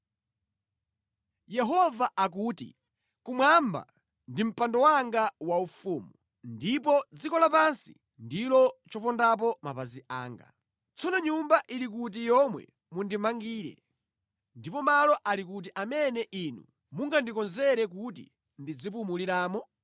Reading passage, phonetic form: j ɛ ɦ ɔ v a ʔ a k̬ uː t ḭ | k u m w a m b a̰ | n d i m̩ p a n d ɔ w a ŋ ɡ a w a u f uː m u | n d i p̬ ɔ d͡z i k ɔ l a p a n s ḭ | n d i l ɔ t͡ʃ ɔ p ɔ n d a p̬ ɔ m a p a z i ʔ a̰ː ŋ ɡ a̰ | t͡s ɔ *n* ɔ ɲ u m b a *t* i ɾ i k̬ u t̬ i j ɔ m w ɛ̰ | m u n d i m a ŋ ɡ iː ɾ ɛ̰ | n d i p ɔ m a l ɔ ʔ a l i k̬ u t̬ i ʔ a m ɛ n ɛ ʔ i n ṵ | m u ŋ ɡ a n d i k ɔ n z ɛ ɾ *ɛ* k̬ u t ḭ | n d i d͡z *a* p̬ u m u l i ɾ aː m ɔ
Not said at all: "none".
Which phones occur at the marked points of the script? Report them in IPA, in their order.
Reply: n, ʔ, ɛ, i

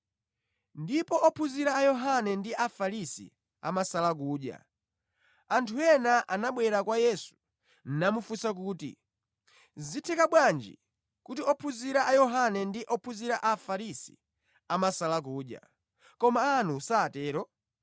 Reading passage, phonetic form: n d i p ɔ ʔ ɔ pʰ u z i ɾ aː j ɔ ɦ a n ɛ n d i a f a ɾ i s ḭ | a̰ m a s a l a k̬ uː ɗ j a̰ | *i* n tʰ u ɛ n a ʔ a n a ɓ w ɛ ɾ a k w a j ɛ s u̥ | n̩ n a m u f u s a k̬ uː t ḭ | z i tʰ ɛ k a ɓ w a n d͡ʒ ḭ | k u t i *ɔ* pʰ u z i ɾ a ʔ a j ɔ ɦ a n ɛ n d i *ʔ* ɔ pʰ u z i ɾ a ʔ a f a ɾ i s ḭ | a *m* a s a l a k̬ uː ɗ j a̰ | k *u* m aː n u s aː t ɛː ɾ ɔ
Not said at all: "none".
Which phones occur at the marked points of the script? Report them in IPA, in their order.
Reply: a, ɔ, ʔ, m, ɔ

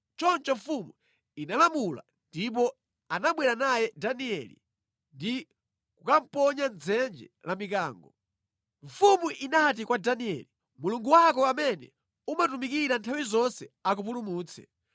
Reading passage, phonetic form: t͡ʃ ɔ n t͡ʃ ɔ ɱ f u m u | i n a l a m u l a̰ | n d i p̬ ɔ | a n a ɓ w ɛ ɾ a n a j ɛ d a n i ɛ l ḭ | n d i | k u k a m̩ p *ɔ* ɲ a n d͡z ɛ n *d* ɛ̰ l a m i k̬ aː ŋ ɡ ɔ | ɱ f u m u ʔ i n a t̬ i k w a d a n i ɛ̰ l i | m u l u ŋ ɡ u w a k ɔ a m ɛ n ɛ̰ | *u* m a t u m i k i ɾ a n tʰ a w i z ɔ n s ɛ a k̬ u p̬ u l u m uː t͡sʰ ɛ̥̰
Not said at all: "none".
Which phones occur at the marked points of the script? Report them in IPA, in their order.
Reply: ɔ, d͡ʒ, u

